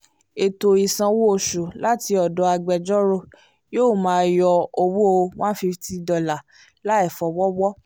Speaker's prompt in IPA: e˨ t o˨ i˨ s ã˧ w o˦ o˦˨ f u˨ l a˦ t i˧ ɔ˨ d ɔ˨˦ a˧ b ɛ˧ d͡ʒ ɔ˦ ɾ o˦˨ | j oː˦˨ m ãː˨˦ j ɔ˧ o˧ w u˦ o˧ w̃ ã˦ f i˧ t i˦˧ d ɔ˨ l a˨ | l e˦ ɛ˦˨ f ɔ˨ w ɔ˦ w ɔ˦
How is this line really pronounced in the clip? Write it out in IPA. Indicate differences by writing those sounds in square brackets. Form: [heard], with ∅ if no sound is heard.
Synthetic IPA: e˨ t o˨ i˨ s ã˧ w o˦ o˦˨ [ʃ] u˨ l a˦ t i˧ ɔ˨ d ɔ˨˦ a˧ [ɡ͡b] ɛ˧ d͡ʒ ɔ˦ ɾ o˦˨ | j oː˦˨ m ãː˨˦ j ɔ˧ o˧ w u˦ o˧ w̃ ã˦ f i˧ t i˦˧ d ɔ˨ l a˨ | l [a˦] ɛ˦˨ f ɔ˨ w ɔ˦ w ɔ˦